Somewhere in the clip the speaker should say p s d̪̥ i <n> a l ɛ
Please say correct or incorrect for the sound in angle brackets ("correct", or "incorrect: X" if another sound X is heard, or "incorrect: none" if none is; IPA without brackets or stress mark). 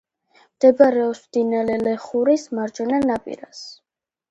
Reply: correct